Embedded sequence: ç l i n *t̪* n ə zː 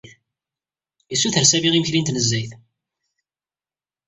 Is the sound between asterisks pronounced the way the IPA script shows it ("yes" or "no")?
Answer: yes